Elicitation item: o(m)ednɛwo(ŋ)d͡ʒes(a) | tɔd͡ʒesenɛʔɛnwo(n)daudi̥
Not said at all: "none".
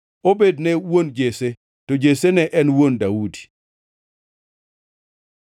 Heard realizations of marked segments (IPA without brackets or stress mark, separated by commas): b, n, e, n